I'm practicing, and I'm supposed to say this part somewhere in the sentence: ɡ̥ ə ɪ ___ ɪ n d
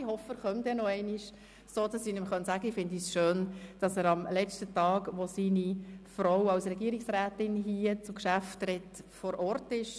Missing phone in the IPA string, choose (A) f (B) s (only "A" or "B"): A